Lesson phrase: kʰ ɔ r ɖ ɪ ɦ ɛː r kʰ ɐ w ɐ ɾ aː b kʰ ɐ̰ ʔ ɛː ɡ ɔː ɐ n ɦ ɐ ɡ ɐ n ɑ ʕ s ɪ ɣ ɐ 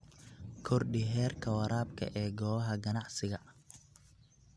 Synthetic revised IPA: kʰ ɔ r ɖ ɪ ɦ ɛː r kʰ ɐ w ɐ ɾ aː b kʰ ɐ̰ ʔ ɛː ɡ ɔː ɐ ɦ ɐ ɡ ɐ n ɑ ʕ s ɪ ɣ ɐ